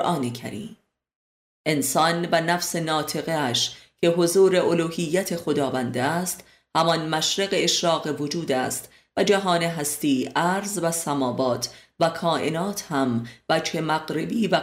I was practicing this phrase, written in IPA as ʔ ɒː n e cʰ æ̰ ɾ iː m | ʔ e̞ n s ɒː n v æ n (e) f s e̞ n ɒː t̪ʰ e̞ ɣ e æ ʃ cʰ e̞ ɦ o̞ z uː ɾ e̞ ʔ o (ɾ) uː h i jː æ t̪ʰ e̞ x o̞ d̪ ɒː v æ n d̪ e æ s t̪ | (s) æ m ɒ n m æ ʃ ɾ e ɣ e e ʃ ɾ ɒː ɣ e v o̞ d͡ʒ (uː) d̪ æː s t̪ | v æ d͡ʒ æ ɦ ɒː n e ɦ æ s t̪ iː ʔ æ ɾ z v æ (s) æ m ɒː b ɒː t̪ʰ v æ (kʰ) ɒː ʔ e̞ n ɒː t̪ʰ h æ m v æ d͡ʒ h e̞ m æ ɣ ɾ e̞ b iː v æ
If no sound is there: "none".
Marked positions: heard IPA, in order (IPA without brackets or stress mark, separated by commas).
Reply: æ, l, h, uː, s, kʰ